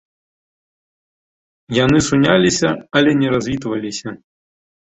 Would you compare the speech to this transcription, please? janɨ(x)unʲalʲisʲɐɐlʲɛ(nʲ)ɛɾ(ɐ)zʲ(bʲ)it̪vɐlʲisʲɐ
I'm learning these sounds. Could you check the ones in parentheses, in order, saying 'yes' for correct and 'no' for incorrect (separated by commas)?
no, yes, no, no